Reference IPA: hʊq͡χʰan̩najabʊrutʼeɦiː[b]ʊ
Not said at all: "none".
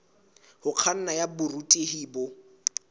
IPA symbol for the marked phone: b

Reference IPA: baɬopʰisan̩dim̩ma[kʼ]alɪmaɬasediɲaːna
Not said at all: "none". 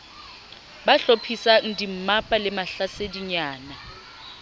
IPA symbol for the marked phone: pʼ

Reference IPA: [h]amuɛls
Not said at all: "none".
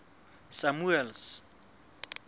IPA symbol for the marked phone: s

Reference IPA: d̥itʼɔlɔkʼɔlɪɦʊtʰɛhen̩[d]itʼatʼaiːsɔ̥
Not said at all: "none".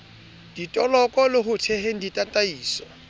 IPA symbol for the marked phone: d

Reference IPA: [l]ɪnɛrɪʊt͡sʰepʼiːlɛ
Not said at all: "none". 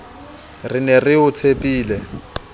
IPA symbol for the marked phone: r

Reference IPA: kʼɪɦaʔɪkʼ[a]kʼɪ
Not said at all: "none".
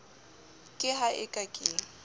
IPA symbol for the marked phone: a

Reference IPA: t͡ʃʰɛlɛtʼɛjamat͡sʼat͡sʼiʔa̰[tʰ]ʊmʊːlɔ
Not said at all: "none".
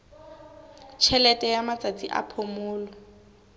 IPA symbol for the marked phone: pʰ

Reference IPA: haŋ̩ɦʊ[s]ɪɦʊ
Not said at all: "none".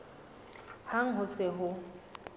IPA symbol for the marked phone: s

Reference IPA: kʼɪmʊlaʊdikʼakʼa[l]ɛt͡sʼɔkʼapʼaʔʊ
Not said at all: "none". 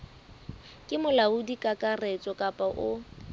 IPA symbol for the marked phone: r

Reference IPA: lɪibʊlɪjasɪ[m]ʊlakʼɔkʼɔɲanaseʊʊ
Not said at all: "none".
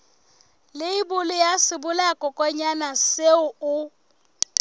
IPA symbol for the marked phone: b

